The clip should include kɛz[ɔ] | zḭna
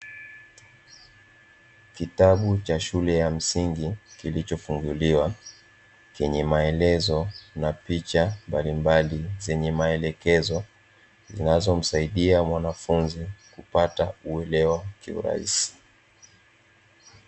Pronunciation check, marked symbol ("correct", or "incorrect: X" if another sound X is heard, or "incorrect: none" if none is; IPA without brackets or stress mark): correct